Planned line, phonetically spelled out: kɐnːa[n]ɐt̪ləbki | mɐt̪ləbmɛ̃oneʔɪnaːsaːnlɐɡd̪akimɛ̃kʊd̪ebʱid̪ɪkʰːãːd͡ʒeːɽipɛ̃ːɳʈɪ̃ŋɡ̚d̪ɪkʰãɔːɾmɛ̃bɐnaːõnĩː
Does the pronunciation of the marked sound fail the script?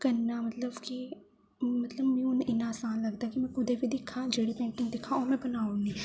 yes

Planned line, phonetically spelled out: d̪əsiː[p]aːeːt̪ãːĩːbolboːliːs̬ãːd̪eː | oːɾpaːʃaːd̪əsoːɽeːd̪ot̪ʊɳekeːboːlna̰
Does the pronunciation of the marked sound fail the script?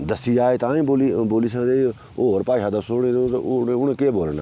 yes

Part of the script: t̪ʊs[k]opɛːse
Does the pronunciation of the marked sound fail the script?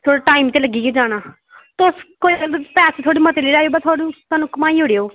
no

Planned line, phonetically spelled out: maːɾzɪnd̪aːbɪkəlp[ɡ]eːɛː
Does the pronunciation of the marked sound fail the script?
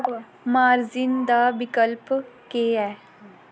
yes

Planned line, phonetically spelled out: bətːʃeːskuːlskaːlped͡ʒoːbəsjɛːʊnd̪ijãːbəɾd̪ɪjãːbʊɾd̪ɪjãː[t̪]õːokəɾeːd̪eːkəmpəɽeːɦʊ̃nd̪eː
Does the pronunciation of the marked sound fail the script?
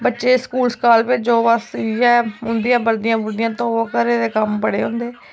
no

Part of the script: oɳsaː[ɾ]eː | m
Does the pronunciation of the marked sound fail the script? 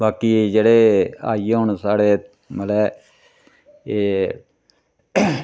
yes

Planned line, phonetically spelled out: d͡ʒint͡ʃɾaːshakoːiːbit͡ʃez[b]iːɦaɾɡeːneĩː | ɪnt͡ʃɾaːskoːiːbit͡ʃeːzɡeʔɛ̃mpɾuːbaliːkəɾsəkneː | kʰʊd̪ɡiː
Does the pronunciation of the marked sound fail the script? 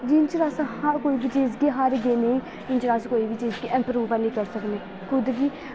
yes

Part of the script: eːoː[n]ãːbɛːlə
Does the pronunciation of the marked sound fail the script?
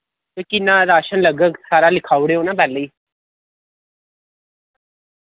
no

